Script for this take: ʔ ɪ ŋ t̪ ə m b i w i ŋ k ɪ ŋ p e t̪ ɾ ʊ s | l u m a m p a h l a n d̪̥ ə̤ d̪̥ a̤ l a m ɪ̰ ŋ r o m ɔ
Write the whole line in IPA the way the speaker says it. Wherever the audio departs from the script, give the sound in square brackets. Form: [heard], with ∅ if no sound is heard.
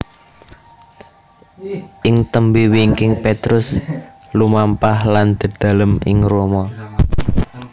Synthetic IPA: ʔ ɪ ŋ t̪ ə m b i w i ŋ k ɪ ŋ p e t̪ ɾ ʊ s | l u m a m p a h l a n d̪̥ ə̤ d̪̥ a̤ l [ə] m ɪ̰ ŋ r o m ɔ